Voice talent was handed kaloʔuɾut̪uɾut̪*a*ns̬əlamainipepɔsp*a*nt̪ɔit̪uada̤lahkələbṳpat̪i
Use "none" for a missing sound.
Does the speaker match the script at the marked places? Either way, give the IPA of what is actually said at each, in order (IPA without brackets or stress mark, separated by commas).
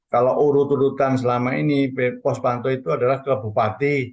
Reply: a, a